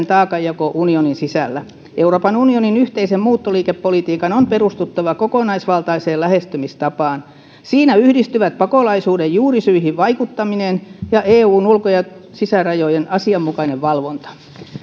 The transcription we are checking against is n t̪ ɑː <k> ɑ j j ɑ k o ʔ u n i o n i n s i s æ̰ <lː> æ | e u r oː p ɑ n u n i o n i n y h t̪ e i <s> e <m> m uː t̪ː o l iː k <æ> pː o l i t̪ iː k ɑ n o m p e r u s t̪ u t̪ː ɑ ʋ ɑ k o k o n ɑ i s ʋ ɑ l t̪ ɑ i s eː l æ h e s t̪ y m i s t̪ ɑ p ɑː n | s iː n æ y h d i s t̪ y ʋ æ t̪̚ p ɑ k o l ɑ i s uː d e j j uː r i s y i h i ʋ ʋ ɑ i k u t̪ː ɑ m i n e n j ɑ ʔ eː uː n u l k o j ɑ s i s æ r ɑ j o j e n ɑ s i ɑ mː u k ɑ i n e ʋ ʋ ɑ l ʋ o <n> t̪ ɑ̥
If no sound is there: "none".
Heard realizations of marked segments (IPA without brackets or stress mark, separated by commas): k, lː, s, m, e, n